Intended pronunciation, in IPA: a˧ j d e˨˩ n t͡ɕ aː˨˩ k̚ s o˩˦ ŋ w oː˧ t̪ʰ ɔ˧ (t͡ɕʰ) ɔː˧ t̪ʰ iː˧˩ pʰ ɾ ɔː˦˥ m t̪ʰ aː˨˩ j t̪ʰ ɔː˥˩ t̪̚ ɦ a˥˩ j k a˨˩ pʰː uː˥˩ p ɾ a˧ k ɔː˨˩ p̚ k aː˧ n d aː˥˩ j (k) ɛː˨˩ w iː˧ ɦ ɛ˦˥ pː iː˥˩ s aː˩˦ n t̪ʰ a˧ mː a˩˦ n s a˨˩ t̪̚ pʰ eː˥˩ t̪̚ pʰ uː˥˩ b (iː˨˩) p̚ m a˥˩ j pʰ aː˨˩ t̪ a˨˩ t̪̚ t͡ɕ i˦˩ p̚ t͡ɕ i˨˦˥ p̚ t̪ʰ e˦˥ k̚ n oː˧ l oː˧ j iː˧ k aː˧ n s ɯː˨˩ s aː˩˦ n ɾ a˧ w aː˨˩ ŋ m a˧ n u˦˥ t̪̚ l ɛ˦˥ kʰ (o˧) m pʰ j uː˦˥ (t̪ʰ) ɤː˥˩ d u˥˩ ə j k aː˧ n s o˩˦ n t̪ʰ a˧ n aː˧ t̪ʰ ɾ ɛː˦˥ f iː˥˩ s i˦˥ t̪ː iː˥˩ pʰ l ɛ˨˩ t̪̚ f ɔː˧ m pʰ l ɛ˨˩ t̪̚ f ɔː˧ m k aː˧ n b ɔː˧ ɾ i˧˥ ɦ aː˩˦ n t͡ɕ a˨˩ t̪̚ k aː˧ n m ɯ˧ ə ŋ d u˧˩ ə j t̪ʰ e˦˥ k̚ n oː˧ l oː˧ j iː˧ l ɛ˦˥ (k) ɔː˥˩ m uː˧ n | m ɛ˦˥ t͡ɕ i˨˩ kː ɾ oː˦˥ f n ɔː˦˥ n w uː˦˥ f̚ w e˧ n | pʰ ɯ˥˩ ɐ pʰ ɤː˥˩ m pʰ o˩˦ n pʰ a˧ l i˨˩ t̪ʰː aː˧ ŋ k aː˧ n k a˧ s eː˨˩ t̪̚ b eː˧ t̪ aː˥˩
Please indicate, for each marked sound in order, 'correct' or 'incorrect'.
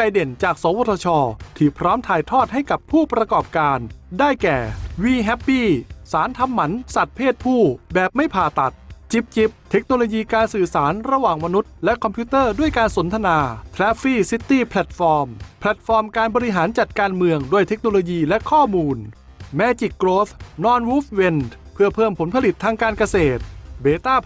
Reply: correct, correct, incorrect, incorrect, incorrect, incorrect

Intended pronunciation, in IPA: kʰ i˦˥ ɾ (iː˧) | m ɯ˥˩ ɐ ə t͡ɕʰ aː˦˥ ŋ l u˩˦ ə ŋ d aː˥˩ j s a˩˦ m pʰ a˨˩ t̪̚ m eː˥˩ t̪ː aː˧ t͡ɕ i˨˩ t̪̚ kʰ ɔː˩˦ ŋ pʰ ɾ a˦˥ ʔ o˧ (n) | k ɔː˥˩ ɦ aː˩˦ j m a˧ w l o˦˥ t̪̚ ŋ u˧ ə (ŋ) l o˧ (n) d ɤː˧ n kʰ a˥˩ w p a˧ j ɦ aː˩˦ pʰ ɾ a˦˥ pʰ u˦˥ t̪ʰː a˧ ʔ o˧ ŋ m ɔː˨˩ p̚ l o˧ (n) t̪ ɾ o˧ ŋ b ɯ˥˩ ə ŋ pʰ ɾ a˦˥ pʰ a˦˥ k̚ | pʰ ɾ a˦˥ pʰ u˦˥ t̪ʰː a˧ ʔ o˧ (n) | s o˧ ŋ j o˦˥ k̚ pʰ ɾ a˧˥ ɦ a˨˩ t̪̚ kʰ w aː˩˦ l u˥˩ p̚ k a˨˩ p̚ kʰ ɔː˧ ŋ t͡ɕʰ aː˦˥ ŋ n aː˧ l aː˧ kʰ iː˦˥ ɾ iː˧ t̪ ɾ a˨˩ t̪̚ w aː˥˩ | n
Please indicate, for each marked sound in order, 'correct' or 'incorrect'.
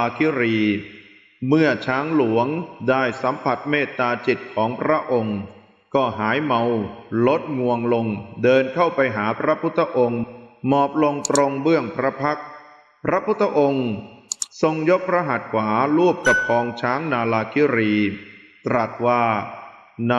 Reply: correct, incorrect, correct, incorrect, incorrect, incorrect

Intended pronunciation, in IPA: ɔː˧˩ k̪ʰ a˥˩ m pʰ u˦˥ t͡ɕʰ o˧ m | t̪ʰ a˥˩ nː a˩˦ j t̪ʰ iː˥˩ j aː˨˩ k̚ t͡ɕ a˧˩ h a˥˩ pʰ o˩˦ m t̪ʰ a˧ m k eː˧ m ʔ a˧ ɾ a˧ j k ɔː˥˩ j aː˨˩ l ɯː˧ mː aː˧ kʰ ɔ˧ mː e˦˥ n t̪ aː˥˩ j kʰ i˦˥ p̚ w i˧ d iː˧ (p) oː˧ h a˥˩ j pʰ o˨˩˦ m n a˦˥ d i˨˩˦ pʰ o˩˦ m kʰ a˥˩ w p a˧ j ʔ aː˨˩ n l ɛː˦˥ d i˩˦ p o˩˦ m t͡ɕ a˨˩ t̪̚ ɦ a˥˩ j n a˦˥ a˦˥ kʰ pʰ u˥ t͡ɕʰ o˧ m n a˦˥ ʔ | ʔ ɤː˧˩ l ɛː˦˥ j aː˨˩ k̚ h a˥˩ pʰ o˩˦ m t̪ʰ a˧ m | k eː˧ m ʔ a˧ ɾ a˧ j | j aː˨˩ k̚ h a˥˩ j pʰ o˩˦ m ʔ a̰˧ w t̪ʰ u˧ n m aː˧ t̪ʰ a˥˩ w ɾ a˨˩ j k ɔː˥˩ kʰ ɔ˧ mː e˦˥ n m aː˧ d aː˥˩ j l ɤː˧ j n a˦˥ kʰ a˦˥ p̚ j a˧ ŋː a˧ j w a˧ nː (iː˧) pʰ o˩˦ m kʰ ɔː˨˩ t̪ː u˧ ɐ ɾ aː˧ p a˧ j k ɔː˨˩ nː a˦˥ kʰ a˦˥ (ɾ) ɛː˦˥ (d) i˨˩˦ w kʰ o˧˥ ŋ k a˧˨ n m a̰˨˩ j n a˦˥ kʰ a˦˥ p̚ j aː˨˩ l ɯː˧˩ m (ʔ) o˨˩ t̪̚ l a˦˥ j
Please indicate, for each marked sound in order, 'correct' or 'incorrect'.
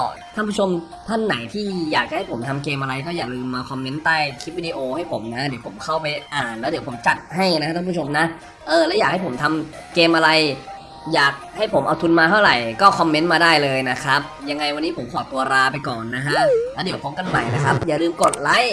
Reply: incorrect, incorrect, incorrect, correct, incorrect

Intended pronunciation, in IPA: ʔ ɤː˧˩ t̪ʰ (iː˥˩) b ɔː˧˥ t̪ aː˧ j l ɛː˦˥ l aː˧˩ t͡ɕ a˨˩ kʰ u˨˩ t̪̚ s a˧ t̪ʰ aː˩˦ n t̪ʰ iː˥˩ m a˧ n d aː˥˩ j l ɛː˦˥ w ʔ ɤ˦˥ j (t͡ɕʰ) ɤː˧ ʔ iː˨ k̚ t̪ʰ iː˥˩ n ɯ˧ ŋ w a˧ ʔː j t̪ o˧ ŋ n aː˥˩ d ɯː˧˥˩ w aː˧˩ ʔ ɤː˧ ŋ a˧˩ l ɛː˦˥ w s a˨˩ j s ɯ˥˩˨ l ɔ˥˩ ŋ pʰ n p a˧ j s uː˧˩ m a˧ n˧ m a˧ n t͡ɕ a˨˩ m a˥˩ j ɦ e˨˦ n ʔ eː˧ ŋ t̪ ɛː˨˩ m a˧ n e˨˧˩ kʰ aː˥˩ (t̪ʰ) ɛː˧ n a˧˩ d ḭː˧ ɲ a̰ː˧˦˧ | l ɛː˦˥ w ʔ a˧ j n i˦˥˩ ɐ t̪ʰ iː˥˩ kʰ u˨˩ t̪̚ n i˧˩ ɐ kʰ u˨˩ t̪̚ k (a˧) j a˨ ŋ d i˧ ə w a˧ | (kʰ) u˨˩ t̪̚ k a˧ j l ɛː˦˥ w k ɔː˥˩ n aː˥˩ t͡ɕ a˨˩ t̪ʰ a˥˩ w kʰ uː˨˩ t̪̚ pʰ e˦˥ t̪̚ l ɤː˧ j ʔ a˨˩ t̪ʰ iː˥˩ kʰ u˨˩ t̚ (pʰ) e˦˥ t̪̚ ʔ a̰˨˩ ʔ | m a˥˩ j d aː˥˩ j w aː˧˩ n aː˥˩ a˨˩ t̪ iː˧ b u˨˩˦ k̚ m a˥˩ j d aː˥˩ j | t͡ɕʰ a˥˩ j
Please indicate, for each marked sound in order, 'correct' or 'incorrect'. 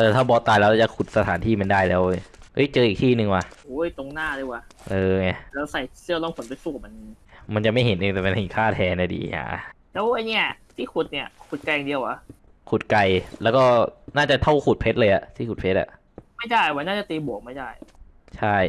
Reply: incorrect, incorrect, correct, correct, correct, correct

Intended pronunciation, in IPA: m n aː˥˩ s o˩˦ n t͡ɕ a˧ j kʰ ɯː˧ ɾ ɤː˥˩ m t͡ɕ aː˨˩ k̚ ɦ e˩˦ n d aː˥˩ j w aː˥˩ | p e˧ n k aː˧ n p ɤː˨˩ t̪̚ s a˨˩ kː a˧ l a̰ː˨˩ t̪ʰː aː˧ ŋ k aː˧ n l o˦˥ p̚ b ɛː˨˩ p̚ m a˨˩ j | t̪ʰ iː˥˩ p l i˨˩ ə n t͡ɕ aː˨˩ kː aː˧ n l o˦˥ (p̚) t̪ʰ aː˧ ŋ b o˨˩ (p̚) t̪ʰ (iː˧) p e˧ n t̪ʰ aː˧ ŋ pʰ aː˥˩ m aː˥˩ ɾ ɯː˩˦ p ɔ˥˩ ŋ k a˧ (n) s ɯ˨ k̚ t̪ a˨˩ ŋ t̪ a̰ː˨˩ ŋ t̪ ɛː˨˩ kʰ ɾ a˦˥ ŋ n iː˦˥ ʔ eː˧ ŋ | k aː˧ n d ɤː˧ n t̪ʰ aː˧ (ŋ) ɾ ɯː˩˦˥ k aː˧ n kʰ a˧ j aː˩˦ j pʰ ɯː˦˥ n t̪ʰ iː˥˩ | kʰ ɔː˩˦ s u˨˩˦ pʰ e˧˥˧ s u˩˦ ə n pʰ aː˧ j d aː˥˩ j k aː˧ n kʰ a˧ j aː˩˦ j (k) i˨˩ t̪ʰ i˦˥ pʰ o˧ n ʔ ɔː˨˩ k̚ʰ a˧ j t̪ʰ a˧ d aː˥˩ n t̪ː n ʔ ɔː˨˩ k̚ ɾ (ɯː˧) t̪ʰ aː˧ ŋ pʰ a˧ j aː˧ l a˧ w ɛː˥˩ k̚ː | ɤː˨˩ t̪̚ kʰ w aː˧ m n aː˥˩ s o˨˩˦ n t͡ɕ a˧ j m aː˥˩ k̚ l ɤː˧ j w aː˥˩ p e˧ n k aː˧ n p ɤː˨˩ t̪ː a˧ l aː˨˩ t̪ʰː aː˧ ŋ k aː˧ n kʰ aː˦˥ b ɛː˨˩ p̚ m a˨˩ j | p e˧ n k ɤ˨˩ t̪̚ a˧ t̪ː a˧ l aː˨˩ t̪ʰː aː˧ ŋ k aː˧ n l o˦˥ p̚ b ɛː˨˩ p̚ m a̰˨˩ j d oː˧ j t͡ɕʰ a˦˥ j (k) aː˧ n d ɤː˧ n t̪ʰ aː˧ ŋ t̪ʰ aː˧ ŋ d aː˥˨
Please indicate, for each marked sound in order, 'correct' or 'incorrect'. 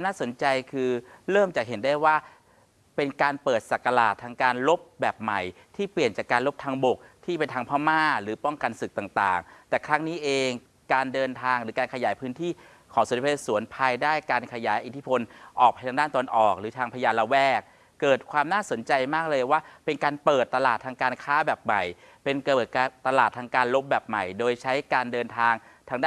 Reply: correct, incorrect, incorrect, correct, correct, incorrect, incorrect, correct

